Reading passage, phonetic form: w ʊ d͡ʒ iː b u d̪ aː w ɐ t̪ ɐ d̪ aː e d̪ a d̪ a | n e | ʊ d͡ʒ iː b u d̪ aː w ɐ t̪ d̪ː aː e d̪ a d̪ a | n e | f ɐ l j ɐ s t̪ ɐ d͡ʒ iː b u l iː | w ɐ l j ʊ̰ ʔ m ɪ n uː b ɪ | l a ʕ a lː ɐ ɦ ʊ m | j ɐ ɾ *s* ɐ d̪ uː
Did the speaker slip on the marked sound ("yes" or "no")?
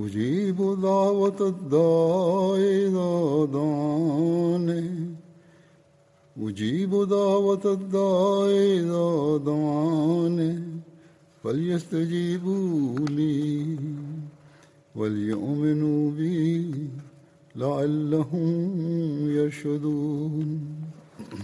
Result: yes